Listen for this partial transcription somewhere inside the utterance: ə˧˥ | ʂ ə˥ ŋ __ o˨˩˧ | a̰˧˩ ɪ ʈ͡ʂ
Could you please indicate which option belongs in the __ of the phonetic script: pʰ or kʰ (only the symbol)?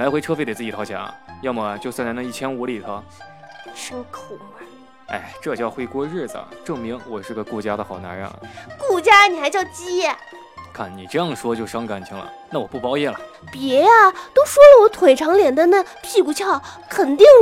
kʰ